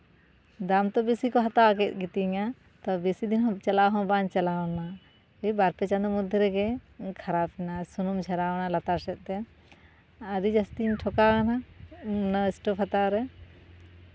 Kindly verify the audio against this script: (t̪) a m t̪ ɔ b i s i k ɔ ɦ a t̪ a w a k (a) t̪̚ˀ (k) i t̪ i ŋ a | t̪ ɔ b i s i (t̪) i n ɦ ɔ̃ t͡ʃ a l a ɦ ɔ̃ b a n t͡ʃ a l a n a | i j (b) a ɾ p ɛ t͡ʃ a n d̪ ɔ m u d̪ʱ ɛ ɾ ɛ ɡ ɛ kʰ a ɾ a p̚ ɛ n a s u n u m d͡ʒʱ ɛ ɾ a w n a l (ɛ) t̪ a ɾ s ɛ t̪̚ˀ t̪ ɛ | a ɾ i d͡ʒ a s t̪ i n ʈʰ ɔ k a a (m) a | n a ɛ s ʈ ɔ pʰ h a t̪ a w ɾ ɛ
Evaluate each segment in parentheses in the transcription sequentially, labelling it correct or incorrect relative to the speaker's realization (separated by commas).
incorrect, incorrect, incorrect, incorrect, correct, incorrect, incorrect